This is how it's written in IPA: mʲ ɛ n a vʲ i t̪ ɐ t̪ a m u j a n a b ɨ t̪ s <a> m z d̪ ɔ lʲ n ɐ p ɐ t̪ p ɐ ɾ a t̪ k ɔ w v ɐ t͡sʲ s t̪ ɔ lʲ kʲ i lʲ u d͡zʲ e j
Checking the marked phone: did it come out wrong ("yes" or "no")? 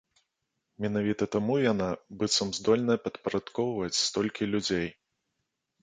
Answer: yes